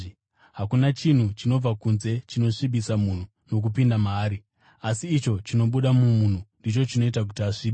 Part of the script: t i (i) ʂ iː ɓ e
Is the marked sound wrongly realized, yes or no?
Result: yes